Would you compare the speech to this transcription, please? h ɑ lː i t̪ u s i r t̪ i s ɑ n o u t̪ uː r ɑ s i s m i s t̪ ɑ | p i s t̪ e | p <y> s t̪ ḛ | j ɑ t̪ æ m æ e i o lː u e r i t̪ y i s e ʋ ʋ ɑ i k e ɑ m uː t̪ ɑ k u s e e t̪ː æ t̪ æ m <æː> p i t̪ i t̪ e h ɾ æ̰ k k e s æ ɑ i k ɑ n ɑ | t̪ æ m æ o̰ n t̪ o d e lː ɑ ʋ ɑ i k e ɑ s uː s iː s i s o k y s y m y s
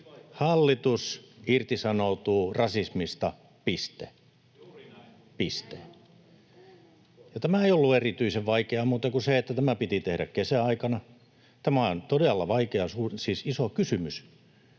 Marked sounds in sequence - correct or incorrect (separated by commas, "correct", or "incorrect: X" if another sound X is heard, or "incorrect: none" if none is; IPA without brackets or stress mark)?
incorrect: i, incorrect: æ